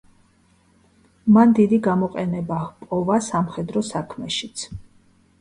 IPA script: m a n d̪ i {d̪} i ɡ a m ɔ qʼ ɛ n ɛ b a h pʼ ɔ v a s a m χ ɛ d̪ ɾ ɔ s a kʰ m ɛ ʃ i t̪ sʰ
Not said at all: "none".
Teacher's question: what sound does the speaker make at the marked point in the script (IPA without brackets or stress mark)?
d̪